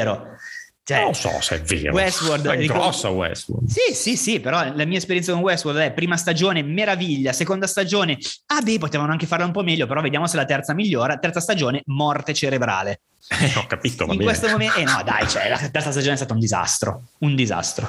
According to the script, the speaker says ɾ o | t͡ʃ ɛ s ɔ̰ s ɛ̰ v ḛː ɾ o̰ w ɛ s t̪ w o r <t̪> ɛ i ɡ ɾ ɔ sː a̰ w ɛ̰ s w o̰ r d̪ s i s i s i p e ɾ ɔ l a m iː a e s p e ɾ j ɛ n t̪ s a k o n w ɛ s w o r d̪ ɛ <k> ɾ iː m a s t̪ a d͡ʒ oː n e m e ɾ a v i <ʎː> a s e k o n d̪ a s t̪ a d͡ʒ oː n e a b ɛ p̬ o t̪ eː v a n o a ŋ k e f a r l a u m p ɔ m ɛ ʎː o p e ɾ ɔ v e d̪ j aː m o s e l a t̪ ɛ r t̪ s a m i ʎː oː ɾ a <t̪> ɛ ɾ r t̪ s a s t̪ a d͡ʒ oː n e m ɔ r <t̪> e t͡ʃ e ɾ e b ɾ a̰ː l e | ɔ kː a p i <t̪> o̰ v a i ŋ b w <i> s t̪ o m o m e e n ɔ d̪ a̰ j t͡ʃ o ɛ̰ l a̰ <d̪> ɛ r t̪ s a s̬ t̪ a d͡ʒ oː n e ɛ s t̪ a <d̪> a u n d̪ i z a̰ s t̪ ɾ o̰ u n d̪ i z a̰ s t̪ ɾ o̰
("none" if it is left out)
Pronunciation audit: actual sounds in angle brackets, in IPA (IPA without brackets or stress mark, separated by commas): d̪, p, ʎː, t̪, t̪, t̪, e, t̪, t̪